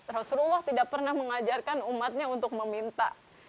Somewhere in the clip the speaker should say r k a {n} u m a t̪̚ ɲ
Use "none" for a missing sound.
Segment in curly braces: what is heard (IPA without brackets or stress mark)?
n